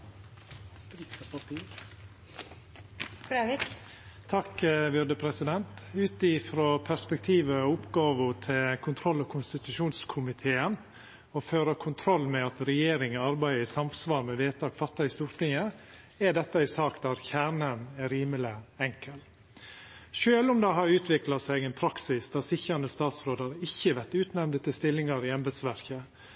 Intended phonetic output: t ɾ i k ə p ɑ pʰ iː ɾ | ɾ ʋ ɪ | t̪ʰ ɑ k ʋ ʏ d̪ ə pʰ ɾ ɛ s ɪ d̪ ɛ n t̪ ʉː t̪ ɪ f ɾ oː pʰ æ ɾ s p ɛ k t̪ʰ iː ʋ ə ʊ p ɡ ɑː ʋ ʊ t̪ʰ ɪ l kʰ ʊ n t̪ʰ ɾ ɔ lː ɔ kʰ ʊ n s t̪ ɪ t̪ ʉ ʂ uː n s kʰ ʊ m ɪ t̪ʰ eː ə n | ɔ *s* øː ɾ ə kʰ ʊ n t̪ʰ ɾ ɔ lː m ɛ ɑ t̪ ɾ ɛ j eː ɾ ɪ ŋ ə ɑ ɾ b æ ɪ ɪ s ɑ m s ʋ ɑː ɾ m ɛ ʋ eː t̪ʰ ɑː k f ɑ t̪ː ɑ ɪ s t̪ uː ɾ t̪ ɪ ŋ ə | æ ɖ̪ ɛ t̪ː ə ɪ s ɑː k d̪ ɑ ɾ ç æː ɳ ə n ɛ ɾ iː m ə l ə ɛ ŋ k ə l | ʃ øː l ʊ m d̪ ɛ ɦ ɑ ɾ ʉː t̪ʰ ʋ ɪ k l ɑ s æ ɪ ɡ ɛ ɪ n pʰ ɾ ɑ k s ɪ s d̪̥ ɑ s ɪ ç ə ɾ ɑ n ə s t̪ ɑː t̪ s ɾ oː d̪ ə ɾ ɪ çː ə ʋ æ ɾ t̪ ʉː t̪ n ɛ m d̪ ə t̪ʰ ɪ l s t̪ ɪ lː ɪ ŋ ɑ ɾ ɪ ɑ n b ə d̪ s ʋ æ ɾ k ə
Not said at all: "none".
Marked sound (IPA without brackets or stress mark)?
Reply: f